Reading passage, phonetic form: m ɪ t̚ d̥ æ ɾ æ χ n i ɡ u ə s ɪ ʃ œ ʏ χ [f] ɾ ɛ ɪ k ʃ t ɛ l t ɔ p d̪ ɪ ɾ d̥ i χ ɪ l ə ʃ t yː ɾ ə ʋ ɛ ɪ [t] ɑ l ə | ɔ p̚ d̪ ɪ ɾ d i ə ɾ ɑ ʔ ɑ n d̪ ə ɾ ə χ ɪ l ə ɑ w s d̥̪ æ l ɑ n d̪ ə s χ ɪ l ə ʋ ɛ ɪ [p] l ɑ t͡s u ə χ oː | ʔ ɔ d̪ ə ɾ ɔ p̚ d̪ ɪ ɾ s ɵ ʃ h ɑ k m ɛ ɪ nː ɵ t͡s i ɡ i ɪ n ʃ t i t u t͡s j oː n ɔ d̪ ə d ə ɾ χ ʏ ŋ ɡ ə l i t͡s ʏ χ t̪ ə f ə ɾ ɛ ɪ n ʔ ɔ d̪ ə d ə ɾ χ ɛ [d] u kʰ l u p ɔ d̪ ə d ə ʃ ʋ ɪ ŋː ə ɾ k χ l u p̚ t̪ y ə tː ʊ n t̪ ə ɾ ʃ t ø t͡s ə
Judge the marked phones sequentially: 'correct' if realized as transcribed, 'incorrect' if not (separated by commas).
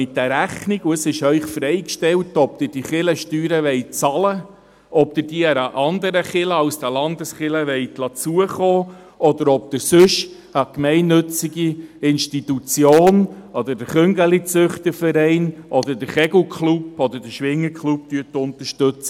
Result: correct, incorrect, incorrect, incorrect